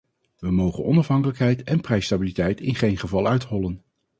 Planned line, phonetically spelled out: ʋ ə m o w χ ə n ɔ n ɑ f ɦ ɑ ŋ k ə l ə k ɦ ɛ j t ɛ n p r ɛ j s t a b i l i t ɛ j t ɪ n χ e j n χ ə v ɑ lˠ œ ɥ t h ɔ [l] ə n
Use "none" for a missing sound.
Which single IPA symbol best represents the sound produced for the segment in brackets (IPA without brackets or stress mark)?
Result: l